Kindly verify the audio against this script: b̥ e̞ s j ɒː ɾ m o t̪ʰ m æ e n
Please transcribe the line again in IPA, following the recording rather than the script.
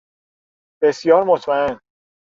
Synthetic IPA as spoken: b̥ e̞ s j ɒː ɾ m o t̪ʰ m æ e n

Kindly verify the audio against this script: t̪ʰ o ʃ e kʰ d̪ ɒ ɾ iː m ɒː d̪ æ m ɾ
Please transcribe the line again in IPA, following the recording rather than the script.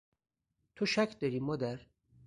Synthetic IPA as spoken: t̪ʰ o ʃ æ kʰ d̪ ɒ ɾ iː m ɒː d̪ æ ɾ

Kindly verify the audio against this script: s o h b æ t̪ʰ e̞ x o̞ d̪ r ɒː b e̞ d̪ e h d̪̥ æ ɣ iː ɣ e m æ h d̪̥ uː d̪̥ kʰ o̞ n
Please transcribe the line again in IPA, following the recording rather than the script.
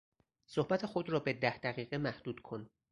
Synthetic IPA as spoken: s o h b æ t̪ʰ e̞ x o̞ d̪ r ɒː b e̞ d̪ æ h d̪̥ æ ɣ iː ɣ e m æ h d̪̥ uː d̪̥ kʰ o̞ n

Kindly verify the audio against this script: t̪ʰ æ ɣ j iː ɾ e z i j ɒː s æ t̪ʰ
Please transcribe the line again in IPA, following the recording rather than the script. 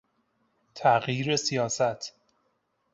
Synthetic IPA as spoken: t̪ʰ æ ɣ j iː ɾ e s i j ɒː s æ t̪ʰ

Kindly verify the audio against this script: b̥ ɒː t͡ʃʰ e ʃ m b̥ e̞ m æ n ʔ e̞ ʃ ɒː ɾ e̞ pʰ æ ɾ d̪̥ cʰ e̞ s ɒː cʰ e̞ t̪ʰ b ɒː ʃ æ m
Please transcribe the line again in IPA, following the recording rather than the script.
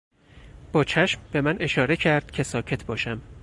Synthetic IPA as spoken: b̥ ɒː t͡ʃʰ æ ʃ m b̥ e̞ m æ n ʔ e̞ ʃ ɒː ɾ e̞ cʰ æ ɾ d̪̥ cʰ e̞ s ɒː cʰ e̞ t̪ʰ b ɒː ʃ æ m

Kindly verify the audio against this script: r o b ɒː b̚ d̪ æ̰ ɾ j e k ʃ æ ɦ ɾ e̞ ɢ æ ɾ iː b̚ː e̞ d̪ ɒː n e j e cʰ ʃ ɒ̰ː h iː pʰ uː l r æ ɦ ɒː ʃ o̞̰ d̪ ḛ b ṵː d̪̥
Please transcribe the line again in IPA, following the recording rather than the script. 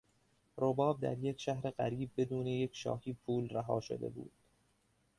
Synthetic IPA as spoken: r o b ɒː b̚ d̪ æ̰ ɾ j e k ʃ æ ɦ ɾ e̞ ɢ æ ɾ iː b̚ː e̞ d̪ uː n e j e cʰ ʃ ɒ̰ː h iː pʰ uː l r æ ɦ ɒː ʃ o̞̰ d̪ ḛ b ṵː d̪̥

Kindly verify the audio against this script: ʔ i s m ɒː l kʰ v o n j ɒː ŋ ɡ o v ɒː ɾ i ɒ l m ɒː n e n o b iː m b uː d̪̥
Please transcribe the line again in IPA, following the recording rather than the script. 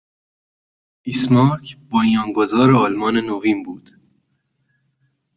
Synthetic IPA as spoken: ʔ i s m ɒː ɾ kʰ b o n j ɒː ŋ ɡ o z ɒː ɾ e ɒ l m ɒː n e n o v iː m b uː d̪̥

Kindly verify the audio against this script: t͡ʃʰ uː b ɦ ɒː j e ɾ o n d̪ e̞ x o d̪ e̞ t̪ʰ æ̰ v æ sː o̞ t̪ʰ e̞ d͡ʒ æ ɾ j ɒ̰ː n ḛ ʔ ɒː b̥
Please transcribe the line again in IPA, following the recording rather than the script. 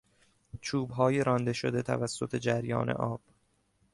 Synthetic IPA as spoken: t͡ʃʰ uː b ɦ ɒː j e ɾ ɒ n d̪ e̞ ʃ o d̪ e̞ t̪ʰ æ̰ v æ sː o̞ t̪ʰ e̞ d͡ʒ æ ɾ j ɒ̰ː n ḛ ʔ ɒː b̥

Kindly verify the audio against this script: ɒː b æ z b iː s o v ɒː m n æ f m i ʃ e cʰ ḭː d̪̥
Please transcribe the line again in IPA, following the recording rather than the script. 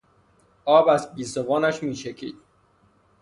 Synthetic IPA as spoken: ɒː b æ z b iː s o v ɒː n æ ʃ m iː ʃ e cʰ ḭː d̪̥

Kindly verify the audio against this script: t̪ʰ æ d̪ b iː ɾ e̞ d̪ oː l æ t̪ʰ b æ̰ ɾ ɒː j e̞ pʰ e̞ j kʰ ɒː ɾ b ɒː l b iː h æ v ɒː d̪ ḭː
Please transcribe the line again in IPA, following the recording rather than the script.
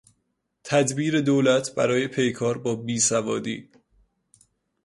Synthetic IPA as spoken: t̪ʰ æ d̪ b iː ɾ e̞ d̪ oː l æ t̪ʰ b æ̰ ɾ ɒː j e̞ pʰ e̞ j kʰ ɒː ɾ b ɒː b iː s æ v ɒː d̪ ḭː

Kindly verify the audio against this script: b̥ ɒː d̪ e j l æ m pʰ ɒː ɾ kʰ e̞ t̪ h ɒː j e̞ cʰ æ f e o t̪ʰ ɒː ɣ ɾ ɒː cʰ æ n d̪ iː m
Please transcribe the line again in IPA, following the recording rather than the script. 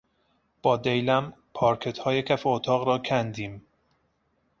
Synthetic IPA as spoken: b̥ ɒː d̪ e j l æ m pʰ ɒː ɾ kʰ e̞ t̪ h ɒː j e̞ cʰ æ f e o t̪ʰ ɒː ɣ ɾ ɒː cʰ æ n d̪ iː m

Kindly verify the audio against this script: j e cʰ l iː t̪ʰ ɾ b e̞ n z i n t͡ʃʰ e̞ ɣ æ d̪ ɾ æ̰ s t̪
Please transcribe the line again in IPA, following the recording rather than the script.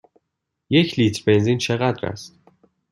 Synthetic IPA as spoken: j e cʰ l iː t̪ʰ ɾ b e̞ n z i n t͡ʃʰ e̞ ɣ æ d̪ ɾ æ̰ s t̪

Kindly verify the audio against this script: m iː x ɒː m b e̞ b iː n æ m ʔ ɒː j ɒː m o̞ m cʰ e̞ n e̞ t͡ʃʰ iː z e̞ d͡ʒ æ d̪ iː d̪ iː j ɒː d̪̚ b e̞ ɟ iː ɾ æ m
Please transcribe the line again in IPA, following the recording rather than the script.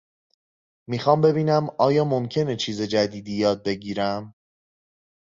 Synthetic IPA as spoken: m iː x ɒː m b e̞ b iː n æ m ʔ ɒː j ɒː m o̞ m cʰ e̞ n e̞ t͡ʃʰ iː z e̞ d͡ʒ æ d̪ iː d̪ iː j ɒː d̪̚ b e̞ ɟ iː ɾ æ m

